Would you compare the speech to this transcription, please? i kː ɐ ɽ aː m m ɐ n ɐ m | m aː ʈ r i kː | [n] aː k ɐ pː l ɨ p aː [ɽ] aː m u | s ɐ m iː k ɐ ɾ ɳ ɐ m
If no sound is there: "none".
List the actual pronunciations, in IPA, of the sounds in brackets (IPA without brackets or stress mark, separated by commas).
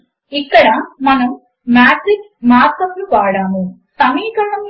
m, ɽ